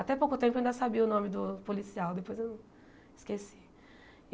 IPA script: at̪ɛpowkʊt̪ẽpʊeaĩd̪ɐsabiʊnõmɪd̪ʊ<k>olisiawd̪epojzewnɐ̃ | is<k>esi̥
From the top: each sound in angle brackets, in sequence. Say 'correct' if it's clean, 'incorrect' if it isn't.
incorrect, correct

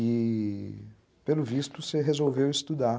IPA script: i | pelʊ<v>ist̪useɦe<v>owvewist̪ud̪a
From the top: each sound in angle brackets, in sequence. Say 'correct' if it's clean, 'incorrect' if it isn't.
correct, incorrect

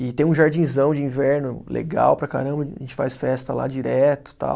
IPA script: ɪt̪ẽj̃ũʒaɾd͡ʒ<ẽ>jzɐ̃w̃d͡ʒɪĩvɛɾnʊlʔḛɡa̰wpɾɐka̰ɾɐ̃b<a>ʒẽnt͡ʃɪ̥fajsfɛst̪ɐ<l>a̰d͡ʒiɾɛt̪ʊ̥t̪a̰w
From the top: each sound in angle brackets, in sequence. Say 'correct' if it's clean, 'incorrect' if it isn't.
incorrect, incorrect, correct

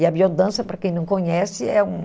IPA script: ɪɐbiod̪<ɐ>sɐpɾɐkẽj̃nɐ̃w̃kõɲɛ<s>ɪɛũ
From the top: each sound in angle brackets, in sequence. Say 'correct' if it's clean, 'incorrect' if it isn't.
incorrect, correct

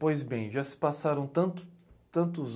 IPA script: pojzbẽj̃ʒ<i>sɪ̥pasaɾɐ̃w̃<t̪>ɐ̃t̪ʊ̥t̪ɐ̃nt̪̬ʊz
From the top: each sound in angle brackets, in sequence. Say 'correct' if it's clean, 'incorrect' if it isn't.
incorrect, correct

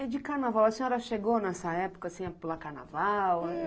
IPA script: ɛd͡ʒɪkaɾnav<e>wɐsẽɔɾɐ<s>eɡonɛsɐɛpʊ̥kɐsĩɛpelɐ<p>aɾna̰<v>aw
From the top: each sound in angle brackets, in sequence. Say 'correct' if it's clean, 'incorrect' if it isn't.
incorrect, incorrect, incorrect, correct

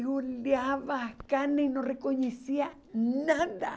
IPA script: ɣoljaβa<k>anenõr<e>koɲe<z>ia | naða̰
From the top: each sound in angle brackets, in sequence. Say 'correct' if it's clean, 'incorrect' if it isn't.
correct, correct, incorrect

